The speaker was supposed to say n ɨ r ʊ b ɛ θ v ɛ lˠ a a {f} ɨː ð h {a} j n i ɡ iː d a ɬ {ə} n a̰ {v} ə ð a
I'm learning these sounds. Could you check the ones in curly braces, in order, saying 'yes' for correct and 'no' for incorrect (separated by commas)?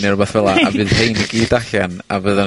no, no, no, yes